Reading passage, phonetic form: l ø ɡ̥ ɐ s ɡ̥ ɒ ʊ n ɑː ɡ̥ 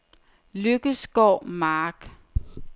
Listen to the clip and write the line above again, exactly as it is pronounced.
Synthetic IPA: l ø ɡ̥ ə s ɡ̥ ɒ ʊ m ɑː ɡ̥